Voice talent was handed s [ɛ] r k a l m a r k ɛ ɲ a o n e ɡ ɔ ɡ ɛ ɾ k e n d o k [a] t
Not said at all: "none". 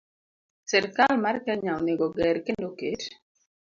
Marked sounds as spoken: ɛ, e

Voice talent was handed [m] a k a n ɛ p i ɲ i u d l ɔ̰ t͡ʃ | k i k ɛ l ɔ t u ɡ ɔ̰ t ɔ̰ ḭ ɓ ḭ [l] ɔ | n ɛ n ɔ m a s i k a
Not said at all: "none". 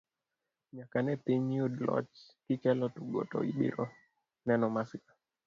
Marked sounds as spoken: ɲ, ɾ

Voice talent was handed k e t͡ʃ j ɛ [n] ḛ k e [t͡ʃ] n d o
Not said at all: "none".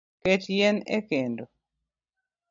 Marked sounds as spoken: n, none

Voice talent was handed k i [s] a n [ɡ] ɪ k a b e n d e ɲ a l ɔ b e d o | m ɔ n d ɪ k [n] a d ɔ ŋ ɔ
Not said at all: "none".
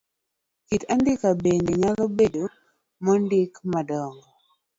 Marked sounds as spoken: t, d, m

